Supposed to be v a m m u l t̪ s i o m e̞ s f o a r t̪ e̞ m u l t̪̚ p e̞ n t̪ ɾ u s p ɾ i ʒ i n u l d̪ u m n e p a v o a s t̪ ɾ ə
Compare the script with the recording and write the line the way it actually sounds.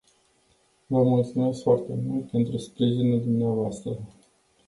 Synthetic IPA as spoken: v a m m u l t̪ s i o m e̞ s f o a r t̪ e̞ m u l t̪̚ p e̞ n t̪ ɾ u s p ɾ i ʒ i n u l d̪ u m n e a v o a s t̪ ɾ ə